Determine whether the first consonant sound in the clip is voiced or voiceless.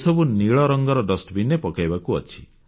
voiceless